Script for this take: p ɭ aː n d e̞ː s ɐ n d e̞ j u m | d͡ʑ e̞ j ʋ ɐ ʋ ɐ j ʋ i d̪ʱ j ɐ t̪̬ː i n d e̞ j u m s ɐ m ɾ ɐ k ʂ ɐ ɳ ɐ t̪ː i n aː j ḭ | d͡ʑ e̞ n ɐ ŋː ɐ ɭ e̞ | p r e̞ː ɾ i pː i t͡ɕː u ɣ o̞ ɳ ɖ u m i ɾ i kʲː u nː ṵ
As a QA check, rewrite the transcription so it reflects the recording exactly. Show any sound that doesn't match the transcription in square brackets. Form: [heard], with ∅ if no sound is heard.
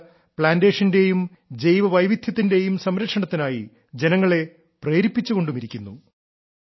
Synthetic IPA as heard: p ɭ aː n d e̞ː [ʂ] ɐ n d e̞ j u m | d͡ʑ e̞ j ʋ ɐ ʋ ɐ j ʋ i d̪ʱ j ɐ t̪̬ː i n d e̞ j u m s ɐ m ɾ ɐ k ʂ ɐ ɳ ɐ t̪ː i n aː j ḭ | d͡ʑ e̞ n ɐ ŋː ɐ ɭ e̞ | p r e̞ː ɾ i pː i t͡ɕː u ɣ o̞ ɳ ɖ u m i ɾ i kʲː u nː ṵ